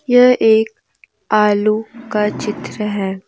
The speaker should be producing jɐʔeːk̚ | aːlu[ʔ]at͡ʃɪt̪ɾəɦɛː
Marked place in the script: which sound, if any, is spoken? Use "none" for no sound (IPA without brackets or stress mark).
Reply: k